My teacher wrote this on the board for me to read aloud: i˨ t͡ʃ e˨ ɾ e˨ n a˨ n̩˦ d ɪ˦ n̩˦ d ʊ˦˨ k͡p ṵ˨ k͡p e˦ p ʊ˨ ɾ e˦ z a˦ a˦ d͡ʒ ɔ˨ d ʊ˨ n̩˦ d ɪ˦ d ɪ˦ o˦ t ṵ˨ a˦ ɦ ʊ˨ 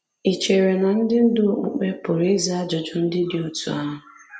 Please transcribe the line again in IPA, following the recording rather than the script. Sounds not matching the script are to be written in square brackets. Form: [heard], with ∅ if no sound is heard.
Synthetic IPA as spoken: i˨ t͡ʃ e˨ ɾ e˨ n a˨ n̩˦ d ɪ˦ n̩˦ d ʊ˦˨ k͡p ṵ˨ k͡p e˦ p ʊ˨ ɾ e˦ z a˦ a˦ d͡ʒ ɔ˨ [d͡ʒ] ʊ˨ n̩˦ d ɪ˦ d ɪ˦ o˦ t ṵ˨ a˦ ɦ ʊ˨